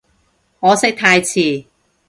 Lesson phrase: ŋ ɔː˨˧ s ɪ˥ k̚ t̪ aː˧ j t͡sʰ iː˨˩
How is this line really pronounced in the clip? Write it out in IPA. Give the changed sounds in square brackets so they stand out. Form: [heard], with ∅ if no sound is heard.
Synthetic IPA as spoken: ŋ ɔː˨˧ s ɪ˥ k̚ [t̪ʰ] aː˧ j t͡sʰ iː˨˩